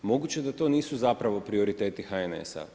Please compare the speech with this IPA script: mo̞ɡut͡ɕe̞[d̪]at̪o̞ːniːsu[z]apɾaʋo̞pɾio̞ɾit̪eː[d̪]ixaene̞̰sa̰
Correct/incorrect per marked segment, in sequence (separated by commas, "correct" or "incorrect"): correct, correct, incorrect